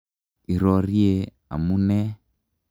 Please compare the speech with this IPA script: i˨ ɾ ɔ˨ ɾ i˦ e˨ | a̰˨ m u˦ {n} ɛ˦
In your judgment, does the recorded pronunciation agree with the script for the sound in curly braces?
yes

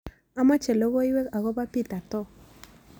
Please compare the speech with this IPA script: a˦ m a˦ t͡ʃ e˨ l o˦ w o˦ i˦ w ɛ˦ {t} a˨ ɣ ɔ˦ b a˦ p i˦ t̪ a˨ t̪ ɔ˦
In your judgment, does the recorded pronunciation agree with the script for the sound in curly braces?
no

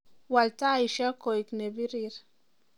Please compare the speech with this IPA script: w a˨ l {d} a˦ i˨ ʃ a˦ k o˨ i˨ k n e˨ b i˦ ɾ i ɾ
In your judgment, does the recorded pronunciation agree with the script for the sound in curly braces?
no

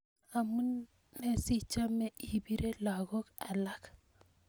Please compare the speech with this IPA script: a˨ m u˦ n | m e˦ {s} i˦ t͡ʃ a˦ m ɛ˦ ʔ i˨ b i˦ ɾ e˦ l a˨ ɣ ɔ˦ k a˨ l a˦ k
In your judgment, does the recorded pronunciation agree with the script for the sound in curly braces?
yes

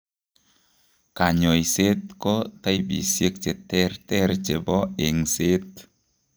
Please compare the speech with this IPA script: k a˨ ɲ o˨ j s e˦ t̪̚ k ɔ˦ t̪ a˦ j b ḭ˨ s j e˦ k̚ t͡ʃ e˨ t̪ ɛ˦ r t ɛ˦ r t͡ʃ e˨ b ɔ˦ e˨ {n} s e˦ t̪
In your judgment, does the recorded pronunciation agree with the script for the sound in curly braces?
no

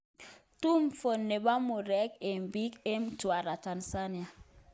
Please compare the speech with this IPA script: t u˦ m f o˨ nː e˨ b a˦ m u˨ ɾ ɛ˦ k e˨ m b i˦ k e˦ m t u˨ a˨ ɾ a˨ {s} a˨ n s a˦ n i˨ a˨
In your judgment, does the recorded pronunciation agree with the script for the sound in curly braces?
no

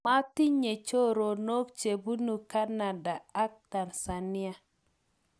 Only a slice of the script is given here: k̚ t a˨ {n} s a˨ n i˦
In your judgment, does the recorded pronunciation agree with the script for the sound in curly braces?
yes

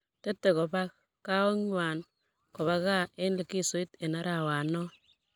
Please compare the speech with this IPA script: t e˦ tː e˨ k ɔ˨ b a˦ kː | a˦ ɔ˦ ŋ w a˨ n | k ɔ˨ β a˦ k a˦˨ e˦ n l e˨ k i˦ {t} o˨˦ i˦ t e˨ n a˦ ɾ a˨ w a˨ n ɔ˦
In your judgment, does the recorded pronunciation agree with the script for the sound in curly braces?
no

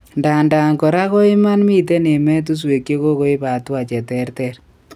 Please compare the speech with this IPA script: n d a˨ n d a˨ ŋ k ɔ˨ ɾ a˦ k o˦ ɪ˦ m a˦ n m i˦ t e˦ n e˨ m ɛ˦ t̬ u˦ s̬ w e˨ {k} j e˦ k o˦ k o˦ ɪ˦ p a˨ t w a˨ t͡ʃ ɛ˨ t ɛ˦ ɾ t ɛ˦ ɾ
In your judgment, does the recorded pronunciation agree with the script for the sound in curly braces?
yes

